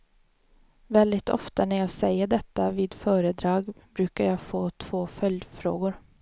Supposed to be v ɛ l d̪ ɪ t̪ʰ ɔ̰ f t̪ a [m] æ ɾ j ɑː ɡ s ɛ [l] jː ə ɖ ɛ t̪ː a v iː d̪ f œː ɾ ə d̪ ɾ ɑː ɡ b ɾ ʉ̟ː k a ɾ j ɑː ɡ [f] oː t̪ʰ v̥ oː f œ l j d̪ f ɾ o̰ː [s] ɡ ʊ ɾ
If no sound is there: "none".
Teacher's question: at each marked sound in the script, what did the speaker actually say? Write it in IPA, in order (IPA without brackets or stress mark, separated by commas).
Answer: n, none, f, none